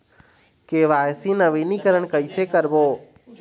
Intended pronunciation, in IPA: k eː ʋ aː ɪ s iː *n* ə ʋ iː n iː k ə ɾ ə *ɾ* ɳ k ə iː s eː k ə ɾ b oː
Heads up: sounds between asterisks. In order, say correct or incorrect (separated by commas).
correct, incorrect